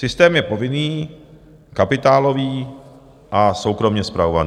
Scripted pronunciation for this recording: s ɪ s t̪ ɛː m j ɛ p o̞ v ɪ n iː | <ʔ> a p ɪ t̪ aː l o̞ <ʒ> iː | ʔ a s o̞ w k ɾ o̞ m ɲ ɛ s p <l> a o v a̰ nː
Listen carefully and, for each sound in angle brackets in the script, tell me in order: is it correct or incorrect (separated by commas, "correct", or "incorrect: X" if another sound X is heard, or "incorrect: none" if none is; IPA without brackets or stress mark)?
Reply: incorrect: k, incorrect: v, incorrect: ɾ